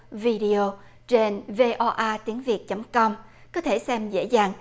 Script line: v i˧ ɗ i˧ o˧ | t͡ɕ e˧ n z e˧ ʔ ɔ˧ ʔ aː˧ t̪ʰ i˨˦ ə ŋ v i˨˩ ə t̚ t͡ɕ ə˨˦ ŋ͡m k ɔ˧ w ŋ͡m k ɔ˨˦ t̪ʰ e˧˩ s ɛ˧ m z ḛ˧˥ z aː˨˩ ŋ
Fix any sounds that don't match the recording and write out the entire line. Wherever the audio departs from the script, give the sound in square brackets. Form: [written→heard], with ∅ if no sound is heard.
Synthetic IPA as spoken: v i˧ ɗ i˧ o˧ | t͡ɕ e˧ n [z→v] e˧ ʔ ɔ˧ ʔ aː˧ [t̪ʰ→t̪] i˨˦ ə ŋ v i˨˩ ə t̚ t͡ɕ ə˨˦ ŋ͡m k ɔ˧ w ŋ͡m k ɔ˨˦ t̪ʰ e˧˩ s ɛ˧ m z ḛ˧˥ z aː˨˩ ŋ